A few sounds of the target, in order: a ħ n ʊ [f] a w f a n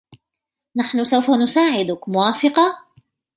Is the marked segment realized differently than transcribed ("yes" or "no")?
yes